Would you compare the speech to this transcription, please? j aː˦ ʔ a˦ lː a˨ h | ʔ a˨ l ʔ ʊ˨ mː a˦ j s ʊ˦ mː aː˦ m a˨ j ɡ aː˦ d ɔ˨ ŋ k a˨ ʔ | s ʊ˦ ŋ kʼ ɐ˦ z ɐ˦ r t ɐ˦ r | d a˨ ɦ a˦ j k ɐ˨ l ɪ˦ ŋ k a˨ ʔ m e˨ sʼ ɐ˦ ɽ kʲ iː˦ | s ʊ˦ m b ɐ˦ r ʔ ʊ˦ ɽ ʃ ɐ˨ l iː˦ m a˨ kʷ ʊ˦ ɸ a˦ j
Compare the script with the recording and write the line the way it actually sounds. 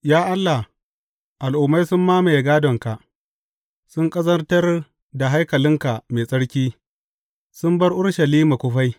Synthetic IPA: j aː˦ ʔ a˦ lː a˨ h | ʔ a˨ l ʔ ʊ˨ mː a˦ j s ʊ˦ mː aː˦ m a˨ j ɡ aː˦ d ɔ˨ ŋ k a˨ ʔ | s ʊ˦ ŋ kʼ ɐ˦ z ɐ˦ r t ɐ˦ r | d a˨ ɦ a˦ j k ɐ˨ l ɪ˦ ŋ k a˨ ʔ m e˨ sʼ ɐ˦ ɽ kʲ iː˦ | s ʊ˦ m b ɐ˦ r ʔ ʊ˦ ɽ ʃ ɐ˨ l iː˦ m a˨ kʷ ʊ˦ ɸ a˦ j